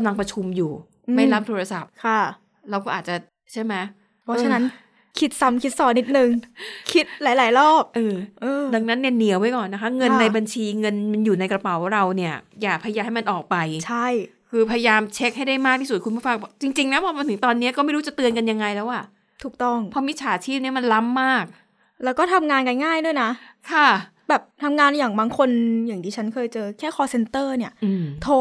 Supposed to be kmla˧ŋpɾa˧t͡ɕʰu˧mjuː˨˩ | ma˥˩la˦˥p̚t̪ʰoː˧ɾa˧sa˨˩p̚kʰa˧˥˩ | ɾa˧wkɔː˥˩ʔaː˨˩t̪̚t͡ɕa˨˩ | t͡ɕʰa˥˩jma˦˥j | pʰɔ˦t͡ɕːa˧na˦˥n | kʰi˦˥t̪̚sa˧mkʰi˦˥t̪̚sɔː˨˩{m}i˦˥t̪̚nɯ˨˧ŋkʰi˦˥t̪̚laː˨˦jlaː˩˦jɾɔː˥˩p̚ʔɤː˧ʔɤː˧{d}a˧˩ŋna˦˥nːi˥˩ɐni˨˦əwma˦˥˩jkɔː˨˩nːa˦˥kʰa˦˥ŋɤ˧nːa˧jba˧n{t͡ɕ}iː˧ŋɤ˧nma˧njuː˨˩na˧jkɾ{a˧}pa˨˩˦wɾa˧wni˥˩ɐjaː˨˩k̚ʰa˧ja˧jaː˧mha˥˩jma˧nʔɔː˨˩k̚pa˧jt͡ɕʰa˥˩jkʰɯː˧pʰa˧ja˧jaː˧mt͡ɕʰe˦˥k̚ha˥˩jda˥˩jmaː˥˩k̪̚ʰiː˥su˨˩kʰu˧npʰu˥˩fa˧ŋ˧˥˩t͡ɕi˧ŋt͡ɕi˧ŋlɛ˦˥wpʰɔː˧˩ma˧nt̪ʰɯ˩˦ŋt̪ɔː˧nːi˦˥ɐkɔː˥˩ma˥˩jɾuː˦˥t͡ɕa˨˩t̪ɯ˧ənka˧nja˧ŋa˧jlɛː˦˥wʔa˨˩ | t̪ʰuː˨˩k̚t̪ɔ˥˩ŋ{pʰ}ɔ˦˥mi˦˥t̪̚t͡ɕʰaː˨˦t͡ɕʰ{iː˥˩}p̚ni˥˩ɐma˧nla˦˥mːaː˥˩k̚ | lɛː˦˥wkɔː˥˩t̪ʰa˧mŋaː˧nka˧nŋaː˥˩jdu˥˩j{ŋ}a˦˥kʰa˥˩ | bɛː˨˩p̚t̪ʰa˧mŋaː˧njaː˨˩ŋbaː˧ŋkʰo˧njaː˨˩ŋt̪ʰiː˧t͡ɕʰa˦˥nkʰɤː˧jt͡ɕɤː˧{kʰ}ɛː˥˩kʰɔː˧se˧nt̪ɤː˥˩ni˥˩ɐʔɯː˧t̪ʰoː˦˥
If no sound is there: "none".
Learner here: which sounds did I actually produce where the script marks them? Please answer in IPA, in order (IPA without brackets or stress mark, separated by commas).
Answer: n, d, t͡ɕʰ, a˧, pʰ, iː˥˩, n, kʰ